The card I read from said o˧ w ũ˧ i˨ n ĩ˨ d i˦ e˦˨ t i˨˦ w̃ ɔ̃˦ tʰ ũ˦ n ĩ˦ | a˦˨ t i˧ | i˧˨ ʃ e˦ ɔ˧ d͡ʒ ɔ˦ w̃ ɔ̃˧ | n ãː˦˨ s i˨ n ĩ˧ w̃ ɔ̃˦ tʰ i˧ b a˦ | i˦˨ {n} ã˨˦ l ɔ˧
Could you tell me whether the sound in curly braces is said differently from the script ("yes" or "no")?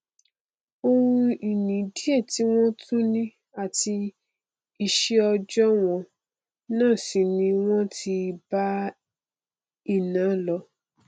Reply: no